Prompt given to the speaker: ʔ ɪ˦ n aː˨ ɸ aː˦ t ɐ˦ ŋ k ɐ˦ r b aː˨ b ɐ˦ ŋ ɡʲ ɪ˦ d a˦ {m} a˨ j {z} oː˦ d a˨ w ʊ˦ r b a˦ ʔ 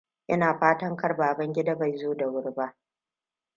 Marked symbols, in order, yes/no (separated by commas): no, yes